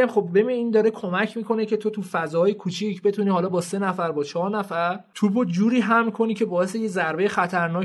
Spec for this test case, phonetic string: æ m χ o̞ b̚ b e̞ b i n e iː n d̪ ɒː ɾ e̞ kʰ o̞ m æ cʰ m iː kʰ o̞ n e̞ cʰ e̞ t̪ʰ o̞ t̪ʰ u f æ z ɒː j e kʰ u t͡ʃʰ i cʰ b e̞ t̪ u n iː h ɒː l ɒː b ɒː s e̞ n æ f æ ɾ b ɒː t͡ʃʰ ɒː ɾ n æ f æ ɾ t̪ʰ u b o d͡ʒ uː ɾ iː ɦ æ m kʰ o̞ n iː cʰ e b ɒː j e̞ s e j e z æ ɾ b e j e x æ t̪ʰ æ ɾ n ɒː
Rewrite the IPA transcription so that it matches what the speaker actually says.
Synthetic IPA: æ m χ o̞ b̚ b e̞ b i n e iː n d̪ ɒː ɾ e̞ kʰ o̞ m æ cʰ m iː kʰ o̞ n e̞ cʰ e̞ t̪ʰ o̞ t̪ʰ u f æ z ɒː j e kʰ u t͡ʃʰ i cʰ b e̞ t̪ u n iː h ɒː l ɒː b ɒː s e̞ n æ f æ ɾ b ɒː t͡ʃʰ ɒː ɾ n æ f æ ɾ t̪ʰ u b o d͡ʒ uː ɾ iː ɦ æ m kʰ o̞ n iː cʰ e b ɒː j e̞ s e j e z æ ɾ b e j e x æ t̪ʰ æ ɾ n ɒː